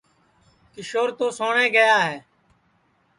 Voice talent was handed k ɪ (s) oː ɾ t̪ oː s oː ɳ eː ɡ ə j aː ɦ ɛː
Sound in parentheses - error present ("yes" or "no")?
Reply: yes